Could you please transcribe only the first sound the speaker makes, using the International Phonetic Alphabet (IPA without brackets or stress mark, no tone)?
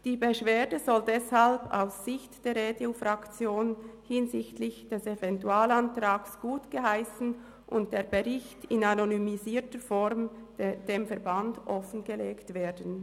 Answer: d̥